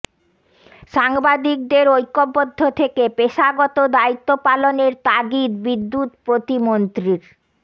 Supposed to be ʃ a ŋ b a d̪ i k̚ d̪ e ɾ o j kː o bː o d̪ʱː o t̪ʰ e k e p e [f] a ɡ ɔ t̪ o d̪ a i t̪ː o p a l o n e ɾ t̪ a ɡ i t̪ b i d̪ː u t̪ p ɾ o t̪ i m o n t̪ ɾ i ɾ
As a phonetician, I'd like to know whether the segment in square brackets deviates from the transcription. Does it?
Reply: yes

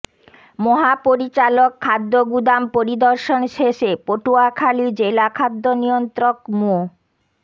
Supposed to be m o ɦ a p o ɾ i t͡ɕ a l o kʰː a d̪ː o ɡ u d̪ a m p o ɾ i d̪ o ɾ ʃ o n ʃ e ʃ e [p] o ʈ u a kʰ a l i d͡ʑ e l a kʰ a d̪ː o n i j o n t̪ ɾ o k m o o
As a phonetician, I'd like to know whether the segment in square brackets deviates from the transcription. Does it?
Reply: no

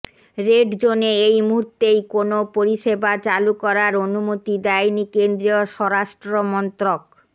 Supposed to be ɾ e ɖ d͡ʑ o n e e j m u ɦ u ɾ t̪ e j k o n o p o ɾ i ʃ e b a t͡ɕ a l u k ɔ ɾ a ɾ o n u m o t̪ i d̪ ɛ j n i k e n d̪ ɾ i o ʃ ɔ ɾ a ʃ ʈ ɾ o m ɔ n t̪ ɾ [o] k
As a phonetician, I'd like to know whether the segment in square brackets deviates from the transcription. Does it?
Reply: no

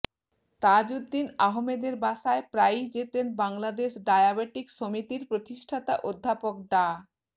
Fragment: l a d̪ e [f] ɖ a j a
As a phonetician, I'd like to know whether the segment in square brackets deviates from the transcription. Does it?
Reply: yes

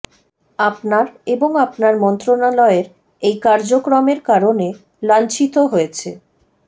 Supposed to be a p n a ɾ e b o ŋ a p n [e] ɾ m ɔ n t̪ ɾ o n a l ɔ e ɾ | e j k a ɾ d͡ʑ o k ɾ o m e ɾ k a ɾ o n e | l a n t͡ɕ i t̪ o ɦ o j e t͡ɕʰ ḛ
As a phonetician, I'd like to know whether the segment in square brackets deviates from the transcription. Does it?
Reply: yes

